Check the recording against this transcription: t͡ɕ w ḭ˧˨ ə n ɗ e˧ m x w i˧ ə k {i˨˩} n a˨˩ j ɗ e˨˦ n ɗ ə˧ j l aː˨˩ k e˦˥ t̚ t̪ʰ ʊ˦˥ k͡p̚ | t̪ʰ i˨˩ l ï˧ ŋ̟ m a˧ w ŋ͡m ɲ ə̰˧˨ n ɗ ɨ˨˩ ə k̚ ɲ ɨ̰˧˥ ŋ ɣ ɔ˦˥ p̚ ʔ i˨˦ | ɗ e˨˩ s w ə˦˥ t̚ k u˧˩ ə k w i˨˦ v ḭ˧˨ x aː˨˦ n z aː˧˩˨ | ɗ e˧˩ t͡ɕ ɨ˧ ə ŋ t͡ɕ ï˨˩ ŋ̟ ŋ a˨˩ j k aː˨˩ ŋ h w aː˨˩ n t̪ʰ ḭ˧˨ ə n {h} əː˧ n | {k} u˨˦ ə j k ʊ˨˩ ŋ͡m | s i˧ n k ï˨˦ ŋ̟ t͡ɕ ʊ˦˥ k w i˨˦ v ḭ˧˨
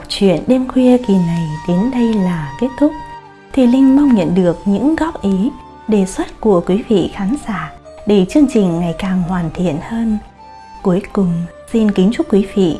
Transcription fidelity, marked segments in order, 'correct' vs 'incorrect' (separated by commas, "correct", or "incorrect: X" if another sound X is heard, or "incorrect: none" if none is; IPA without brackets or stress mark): correct, correct, correct